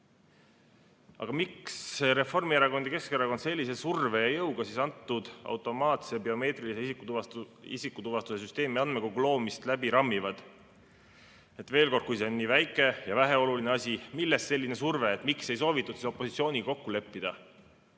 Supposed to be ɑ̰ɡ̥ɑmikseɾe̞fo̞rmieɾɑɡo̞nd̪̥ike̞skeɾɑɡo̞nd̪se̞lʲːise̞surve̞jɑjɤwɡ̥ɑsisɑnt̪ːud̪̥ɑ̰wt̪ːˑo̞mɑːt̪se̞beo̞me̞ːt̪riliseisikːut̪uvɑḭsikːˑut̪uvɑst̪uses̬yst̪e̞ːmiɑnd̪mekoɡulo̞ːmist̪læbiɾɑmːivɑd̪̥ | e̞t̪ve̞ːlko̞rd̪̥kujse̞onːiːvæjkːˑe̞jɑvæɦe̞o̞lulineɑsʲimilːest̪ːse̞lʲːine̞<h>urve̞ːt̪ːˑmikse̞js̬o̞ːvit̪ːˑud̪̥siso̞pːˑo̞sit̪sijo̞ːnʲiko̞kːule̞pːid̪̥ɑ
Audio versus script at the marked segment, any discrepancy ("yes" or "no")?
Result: yes